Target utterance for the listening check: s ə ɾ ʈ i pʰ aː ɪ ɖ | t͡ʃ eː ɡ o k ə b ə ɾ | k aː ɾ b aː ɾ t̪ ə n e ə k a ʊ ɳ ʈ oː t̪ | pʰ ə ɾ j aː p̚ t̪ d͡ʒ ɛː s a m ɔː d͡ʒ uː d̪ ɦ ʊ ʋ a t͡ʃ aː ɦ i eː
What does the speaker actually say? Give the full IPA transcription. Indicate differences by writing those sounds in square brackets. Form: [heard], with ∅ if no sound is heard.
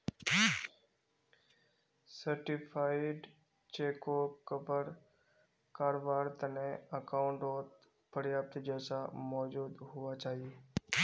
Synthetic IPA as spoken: s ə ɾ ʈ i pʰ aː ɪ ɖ | t͡ʃ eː [k] o k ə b ə ɾ | k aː ɾ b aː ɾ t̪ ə n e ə k a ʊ ɳ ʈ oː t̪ | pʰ ə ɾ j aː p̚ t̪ d͡ʒ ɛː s a m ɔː d͡ʒ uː d̪ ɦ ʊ ʋ a t͡ʃ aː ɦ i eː